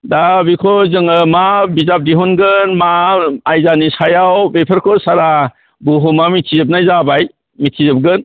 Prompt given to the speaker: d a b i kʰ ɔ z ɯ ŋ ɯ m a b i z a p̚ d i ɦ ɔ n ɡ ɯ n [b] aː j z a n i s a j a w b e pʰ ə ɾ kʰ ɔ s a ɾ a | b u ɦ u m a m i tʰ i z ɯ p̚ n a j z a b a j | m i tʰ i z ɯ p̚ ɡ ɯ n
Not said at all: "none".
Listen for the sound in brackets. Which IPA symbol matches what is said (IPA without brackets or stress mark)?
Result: m